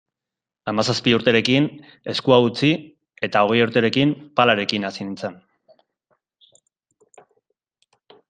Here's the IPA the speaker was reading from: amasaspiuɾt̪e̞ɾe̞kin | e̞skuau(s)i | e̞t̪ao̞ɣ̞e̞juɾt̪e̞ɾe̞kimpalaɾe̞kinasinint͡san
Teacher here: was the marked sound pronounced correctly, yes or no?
no